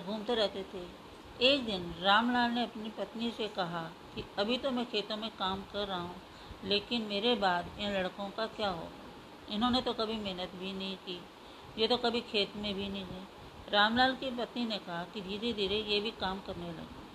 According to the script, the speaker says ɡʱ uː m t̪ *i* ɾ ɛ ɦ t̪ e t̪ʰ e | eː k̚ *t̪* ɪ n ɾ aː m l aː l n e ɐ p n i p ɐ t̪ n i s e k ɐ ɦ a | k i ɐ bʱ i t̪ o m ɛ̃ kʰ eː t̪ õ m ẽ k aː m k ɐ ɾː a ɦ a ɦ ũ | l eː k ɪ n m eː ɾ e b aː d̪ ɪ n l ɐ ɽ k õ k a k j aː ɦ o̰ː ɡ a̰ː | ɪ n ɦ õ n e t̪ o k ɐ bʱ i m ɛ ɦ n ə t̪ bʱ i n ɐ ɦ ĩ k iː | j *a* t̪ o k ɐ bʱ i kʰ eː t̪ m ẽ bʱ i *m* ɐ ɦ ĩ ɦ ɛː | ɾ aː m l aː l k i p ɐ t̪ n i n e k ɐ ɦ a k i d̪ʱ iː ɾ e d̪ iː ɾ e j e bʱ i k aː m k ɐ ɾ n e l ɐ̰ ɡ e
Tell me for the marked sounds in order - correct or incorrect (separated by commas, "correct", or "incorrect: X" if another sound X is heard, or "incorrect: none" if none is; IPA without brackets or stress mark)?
incorrect: e, incorrect: d̪, incorrect: e, incorrect: n